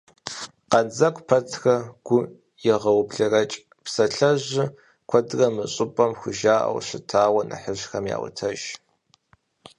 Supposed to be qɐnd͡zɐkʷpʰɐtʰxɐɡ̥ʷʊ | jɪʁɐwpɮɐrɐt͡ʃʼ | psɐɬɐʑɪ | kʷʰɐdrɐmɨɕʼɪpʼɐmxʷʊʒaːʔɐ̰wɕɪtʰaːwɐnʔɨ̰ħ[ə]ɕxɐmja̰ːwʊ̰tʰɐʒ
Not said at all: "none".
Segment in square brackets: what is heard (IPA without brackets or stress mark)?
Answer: ə